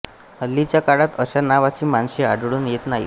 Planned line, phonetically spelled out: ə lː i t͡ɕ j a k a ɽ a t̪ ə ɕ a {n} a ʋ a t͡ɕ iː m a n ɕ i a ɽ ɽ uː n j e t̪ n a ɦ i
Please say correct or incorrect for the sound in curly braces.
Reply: correct